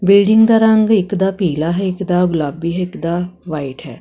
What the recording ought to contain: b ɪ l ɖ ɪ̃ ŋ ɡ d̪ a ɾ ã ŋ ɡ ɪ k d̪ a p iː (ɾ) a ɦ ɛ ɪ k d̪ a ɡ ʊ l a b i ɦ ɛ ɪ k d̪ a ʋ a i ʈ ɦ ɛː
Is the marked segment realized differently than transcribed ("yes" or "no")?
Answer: yes